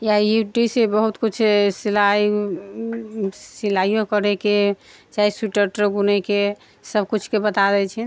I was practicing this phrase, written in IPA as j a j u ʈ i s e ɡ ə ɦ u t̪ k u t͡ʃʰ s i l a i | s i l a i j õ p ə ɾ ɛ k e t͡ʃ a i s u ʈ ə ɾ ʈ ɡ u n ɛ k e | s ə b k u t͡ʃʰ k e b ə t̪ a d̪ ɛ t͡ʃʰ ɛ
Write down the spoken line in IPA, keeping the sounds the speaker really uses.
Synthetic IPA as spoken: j a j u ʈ i s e b ə ɦ u t̪ k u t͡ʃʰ s i l a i | s i l a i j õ k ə ɾ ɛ k e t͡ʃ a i s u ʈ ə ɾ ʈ ɡ u n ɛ k e | s ə b k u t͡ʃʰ k e b ə t̪ a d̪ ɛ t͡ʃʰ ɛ